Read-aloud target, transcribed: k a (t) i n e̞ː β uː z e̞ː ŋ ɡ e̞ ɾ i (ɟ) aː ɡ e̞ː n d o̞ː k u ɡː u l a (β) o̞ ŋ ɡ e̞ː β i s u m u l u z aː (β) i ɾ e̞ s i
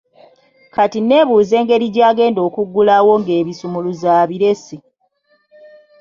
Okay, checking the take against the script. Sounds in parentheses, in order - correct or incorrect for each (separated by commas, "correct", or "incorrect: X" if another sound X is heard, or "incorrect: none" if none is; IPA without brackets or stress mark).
correct, correct, incorrect: w, correct